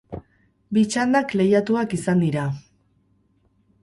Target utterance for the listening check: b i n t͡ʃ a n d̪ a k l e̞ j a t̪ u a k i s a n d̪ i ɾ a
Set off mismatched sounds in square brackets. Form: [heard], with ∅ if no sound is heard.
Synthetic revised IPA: b i [∅] t͡ʃ a n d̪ a k l e̞ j a t̪ u a k i s a n d̪ i ɾ a